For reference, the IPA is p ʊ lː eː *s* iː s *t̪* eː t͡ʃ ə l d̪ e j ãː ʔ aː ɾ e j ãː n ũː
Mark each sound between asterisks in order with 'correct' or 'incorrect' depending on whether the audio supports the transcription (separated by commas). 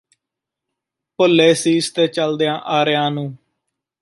correct, correct